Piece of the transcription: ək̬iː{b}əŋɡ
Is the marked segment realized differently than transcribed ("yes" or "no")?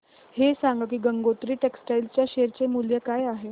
yes